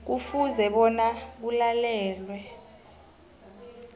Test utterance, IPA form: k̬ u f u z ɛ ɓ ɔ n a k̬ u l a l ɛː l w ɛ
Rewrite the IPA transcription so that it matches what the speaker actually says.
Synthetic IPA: k̬ u f u z ɛ ɓ ɔ n a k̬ u l a l ɛː l w ɛ